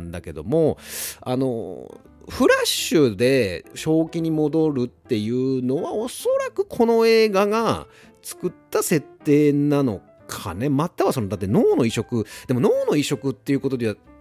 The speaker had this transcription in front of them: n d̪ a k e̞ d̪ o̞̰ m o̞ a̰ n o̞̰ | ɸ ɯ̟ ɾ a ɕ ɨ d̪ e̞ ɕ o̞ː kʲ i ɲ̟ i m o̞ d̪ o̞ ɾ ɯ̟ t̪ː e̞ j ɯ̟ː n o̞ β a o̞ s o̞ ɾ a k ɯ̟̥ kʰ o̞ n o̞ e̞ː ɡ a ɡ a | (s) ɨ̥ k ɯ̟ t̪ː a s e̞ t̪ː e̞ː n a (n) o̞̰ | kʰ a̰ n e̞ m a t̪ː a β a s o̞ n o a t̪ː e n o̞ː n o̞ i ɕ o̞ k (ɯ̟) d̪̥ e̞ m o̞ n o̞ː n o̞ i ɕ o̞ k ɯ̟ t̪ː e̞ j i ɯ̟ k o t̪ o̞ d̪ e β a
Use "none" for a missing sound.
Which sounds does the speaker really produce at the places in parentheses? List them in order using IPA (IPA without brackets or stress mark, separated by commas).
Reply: t͡s, n, ɯ̟